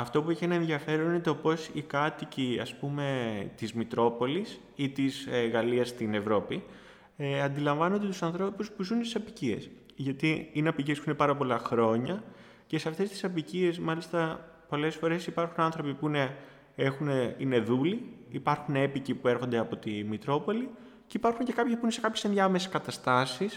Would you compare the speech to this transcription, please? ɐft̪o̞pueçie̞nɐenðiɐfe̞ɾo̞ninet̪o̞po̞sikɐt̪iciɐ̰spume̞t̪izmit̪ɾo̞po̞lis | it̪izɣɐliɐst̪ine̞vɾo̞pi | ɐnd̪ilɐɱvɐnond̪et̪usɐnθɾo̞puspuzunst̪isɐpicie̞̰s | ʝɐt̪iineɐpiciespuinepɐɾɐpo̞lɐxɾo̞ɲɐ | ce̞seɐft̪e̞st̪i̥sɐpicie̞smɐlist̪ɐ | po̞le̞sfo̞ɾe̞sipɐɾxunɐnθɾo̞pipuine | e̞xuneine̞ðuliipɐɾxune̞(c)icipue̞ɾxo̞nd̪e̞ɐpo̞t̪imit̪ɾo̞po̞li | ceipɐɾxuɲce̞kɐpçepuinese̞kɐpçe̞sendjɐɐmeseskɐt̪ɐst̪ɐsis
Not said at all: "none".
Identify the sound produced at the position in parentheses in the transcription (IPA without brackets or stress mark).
p